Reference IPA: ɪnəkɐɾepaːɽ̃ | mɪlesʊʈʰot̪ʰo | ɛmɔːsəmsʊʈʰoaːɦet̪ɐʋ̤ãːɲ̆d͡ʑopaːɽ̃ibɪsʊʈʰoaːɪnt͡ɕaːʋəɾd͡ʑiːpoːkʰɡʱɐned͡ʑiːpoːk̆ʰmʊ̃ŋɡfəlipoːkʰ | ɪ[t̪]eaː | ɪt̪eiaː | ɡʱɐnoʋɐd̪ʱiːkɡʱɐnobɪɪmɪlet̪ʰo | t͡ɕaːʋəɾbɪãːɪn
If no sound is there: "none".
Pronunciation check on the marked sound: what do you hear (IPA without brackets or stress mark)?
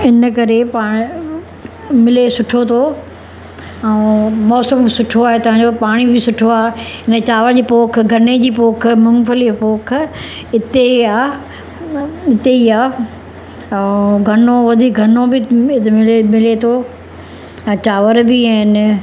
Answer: t̪